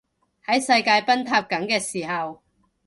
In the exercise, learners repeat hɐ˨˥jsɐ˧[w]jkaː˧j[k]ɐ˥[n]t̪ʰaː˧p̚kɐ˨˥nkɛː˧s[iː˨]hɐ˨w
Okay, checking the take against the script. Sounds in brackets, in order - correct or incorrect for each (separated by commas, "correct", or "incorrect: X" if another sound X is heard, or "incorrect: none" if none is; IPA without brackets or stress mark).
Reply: incorrect: none, incorrect: p, correct, correct